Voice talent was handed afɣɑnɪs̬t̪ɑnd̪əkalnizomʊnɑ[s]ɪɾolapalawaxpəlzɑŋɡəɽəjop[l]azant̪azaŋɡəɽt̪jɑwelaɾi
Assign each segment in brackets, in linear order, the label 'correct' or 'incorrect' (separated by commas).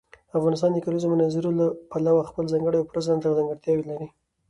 incorrect, incorrect